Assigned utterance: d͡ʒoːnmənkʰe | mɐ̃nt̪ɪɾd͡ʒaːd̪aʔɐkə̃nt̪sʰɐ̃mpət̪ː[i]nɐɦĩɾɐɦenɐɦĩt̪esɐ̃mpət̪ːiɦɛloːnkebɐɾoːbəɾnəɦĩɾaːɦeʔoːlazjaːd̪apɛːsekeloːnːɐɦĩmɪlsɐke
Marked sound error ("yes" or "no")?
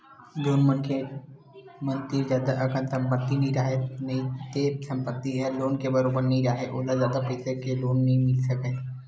no